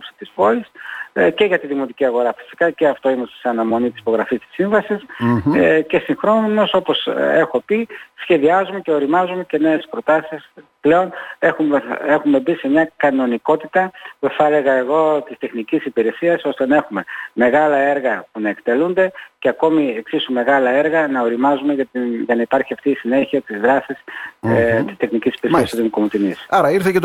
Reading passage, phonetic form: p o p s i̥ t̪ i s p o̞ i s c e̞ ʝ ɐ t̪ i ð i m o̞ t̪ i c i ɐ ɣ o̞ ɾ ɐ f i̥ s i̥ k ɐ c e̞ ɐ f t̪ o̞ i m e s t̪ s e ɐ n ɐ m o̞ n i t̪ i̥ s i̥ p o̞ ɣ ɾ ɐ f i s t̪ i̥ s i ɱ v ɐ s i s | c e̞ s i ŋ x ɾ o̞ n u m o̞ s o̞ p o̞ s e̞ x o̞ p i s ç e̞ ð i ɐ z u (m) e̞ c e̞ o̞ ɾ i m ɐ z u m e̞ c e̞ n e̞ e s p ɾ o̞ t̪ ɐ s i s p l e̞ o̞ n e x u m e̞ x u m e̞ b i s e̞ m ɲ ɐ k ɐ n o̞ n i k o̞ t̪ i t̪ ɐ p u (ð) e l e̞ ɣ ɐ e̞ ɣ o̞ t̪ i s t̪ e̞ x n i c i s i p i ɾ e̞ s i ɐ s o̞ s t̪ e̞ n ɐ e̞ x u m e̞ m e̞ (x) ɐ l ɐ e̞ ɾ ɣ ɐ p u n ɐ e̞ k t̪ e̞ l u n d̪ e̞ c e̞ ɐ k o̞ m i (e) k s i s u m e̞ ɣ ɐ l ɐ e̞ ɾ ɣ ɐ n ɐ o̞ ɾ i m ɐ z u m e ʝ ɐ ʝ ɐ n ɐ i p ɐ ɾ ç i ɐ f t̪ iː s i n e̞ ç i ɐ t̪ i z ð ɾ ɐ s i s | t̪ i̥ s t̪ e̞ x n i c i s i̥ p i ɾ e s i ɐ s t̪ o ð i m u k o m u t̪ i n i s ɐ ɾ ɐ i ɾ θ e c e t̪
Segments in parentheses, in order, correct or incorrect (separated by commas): correct, incorrect, incorrect, correct